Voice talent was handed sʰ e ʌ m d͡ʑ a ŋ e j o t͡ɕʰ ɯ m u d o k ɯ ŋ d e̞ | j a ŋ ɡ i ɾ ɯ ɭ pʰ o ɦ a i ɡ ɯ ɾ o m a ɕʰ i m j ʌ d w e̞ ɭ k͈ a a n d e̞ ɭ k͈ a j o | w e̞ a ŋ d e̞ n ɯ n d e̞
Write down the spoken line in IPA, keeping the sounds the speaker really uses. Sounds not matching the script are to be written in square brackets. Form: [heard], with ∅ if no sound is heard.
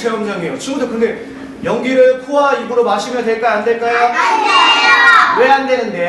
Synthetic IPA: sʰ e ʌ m d͡ʑ a ŋ e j o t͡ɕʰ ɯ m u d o k ɯ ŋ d e̞ | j [ʌ] ŋ ɡ i ɾ ɯ ɭ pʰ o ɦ a i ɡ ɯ ɾ o m a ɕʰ i m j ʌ d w e̞ ɭ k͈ a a n d e̞ ɭ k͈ a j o | w e̞ a [n] d e̞ n ɯ n d e̞